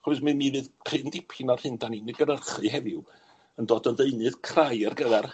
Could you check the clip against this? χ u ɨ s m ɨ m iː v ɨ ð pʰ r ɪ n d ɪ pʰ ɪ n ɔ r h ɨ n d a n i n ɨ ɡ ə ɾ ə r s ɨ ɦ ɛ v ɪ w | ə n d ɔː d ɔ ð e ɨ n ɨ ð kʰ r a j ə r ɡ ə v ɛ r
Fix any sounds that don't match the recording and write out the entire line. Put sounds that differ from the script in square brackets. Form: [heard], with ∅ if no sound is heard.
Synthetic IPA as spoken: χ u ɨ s m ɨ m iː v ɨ ð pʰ r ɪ n d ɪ pʰ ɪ n ɔ r h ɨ n d a n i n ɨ ɡ ə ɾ ə r [χ] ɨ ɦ ɛ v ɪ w | ə n d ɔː d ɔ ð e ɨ n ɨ ð kʰ r a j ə r ɡ ə [ð] ɛ r